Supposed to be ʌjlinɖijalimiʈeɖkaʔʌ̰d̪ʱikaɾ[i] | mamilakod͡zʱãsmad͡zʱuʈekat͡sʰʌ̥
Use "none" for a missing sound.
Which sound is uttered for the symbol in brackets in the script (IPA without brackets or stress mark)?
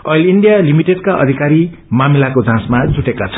i